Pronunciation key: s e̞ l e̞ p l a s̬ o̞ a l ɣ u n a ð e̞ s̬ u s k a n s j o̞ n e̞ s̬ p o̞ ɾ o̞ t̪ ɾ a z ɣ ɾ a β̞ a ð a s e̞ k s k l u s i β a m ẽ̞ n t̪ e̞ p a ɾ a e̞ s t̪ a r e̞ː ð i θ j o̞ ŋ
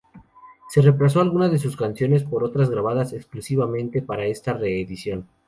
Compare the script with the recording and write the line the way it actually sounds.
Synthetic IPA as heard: s e̞ r e̞ p l a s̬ o̞ a l ɣ u n a ð e̞ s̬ u s k a n s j o̞ n e̞ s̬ p o̞ ɾ o̞ t̪ ɾ a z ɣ ɾ a β̞ a ð a s e̞ k s k l u s i β a m ẽ̞ n t̪ e̞ p a ɾ a e̞ s t̪ a r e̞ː ð i s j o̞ n